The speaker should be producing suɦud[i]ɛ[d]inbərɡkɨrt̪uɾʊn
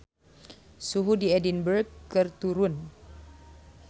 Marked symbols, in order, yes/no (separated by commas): yes, yes